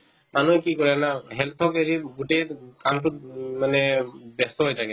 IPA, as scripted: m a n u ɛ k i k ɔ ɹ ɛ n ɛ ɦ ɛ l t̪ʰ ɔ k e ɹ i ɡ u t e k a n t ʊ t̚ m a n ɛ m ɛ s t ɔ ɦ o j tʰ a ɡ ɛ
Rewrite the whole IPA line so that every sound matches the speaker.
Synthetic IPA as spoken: m a n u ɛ k i k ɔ ɹ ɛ n a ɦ ɛ l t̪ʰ ɔ k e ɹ i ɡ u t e k a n t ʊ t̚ m a n ɛ b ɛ s t ɔ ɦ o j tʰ a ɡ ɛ